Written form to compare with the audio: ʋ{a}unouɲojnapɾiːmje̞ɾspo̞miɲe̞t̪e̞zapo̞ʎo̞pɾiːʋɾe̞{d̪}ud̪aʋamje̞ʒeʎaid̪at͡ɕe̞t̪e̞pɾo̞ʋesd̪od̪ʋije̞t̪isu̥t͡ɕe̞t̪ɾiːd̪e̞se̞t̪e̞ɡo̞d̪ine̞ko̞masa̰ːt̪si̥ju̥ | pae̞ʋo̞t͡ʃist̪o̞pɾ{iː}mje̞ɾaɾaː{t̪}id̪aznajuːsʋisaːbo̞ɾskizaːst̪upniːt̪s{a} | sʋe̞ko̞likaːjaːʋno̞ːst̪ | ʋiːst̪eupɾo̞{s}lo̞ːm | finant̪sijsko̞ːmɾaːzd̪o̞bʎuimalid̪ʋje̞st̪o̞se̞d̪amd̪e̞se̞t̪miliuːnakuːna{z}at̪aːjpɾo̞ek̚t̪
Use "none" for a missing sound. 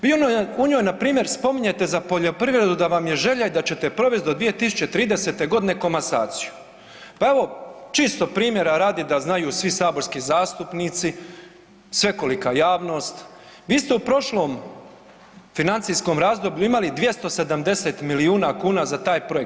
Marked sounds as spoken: i, d̪, iː, d̪, i, ʃ, z

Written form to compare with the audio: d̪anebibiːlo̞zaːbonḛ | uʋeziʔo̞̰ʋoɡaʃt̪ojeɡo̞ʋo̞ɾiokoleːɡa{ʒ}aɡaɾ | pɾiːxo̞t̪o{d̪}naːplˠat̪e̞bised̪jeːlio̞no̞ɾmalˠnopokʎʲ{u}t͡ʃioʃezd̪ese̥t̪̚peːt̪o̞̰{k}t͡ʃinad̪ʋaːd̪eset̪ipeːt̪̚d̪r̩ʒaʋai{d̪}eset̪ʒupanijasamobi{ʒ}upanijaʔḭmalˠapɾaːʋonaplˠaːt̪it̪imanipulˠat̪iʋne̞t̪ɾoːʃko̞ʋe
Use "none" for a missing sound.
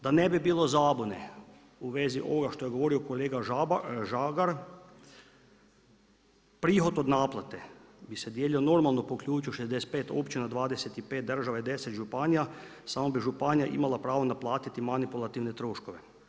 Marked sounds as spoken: ʒ, d̪, uː, p, d̪, ʒ

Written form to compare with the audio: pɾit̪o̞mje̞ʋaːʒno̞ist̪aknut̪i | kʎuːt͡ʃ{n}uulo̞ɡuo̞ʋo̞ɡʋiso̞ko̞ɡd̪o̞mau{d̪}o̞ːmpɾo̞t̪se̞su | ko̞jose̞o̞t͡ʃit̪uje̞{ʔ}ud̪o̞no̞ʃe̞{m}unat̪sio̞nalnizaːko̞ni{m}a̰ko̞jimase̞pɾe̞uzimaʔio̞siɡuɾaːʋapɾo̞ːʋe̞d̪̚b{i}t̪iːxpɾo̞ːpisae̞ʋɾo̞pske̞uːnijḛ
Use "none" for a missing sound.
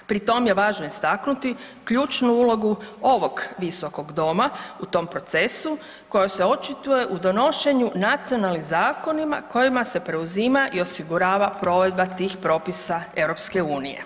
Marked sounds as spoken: n, t̪, ʔ, ɲ, m, a

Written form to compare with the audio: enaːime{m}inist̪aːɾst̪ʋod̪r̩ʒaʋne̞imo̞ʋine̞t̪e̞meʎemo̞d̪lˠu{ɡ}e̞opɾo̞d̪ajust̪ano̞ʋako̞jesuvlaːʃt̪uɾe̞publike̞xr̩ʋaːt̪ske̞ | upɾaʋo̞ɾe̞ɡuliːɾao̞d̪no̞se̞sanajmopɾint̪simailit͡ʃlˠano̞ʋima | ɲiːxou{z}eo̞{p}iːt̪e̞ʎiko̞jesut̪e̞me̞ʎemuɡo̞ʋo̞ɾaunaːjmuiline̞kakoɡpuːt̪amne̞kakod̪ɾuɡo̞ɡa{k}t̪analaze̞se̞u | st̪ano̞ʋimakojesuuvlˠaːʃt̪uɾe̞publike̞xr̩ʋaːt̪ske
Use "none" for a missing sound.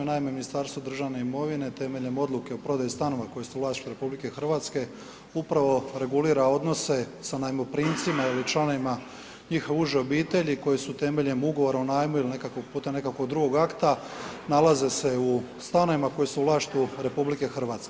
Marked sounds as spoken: m, k, ʒ, b, k

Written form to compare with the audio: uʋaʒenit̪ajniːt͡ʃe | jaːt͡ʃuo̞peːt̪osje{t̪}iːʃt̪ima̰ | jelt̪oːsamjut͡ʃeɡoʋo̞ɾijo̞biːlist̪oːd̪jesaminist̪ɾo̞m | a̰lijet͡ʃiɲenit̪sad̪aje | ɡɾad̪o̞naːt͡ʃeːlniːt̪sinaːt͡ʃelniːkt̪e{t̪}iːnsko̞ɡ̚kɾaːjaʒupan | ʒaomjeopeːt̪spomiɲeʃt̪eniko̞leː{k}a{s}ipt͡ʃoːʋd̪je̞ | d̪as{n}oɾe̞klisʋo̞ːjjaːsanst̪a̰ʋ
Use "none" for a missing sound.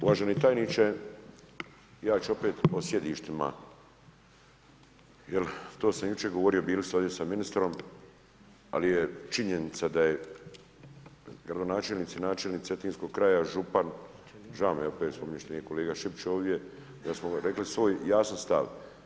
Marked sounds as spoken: d̪, t̪, ɡ, ʃ, m

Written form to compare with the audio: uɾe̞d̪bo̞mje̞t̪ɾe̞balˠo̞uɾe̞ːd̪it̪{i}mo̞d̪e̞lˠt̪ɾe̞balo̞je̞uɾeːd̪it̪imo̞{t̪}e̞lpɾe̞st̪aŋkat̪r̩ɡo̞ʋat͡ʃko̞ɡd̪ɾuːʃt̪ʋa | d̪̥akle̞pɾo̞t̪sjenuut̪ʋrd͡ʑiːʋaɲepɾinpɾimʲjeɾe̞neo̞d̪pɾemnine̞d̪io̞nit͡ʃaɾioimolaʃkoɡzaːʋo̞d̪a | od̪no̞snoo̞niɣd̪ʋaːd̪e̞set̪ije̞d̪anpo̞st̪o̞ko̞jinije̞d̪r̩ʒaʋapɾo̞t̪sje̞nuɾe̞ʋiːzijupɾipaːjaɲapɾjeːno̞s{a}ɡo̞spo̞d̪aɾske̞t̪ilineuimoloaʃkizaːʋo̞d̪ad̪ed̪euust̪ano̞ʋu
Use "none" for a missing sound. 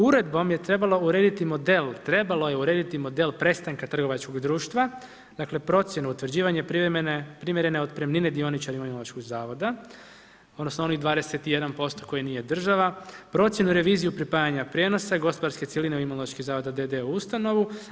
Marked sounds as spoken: i, d̪, a

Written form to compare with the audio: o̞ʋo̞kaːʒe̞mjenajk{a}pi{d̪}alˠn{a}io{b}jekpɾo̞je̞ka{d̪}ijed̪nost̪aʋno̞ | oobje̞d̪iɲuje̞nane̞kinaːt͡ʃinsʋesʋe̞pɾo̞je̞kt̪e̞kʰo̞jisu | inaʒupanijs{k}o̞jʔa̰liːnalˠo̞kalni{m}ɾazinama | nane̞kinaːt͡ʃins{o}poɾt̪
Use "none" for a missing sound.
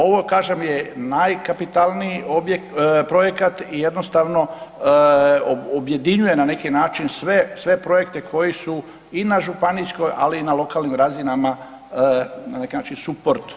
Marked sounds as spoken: a, t̪, i, b, t̪, k, m, u

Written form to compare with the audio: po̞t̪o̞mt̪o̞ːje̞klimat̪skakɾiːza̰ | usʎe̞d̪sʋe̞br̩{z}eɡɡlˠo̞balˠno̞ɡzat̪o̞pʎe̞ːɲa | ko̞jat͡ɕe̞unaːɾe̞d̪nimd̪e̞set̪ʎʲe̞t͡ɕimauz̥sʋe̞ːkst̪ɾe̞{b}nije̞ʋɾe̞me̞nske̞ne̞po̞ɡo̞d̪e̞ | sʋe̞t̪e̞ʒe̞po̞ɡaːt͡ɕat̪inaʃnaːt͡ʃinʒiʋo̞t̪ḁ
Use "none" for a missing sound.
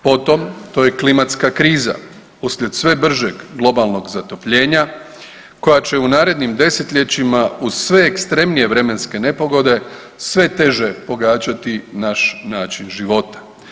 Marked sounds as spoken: ʒ, m

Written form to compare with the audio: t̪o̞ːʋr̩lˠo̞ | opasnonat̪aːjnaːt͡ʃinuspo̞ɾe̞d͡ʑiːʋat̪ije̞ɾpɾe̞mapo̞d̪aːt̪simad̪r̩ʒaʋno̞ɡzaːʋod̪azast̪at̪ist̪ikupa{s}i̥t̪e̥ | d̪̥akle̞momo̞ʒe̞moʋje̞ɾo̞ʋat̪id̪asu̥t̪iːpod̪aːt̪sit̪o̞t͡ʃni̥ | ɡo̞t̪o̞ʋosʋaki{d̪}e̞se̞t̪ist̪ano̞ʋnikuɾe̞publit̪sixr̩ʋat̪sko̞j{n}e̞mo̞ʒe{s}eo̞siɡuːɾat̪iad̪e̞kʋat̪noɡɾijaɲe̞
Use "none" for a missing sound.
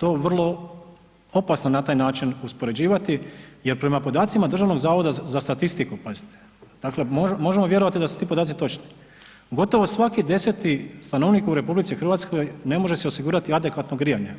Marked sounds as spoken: z, d̪, n, s

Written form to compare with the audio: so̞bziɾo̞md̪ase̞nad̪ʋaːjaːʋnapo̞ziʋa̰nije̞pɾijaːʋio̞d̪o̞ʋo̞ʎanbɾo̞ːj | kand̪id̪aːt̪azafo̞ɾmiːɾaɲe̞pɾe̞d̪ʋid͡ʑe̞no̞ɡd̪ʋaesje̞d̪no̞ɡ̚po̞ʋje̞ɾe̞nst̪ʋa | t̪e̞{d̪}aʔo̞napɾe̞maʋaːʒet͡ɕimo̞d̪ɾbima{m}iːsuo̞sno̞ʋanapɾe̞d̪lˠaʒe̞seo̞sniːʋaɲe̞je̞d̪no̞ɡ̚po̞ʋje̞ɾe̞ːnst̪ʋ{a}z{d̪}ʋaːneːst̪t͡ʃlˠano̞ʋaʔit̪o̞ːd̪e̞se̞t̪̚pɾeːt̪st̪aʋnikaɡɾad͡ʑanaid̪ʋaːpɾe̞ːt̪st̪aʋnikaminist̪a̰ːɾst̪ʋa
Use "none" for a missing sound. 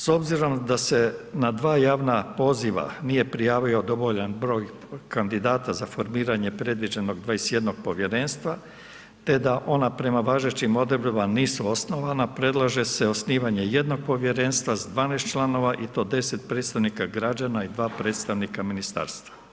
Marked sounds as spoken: d̪, n, a, d̪

